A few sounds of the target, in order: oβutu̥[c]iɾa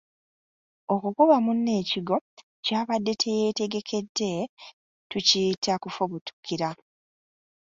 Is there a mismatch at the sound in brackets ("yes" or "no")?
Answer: yes